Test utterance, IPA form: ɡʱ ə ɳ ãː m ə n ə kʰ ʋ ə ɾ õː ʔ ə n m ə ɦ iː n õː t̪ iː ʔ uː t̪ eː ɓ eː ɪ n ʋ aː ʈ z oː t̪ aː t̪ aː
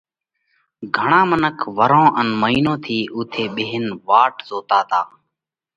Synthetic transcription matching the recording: ɡʱ ə ɳ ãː m ə n ə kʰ ʋ ə ɾ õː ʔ ə n m ə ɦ iː n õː t̪ʰ iː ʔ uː t̪ʰ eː ɓ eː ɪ n ʋ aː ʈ z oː t̪ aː t̪ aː